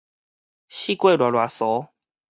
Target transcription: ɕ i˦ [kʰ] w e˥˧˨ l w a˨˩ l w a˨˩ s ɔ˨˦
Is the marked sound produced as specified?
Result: no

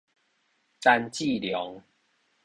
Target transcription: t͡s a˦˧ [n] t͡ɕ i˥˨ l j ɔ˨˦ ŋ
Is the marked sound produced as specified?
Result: yes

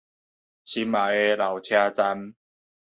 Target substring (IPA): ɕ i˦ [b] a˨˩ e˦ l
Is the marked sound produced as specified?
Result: no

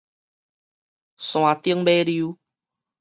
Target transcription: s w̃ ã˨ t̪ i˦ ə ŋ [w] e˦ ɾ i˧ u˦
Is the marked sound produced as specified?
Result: no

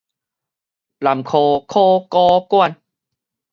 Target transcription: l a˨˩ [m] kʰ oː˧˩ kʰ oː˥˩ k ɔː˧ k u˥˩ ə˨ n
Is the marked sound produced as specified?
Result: yes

